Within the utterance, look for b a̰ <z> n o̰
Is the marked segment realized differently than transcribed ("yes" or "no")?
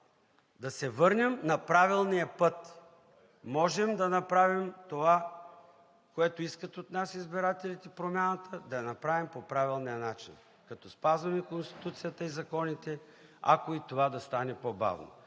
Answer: yes